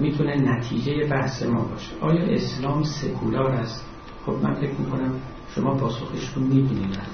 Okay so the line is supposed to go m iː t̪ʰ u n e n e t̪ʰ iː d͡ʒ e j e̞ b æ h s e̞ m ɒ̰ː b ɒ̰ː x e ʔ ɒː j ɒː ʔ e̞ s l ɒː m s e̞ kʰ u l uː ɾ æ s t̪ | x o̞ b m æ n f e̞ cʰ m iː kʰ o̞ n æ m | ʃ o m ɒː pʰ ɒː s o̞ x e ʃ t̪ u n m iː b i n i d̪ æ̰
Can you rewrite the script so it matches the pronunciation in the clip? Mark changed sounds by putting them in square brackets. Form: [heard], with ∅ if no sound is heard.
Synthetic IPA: m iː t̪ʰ u n e n [æ] t̪ʰ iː d͡ʒ e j e̞ b æ h s e̞ m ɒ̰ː b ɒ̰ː [ʃ] e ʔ ɒː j ɒː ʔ e̞ s l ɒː m s e̞ kʰ u l [ɒː] ɾ æ s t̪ | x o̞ b m æ n f e̞ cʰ m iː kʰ o̞ n æ m | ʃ o m ɒː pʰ ɒː s o̞ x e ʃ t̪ u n m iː b i n i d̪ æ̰